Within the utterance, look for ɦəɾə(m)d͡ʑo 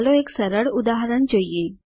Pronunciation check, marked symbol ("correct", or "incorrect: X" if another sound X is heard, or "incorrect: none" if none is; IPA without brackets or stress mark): incorrect: ɳ